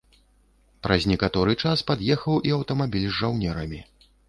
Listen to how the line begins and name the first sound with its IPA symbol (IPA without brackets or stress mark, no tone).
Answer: p